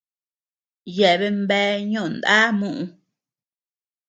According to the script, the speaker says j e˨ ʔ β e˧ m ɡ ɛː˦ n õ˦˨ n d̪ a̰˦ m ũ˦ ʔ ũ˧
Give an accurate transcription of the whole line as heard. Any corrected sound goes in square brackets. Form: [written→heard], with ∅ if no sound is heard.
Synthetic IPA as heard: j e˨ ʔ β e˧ m [ɡ→b] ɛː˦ [n→ɲ] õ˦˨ n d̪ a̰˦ m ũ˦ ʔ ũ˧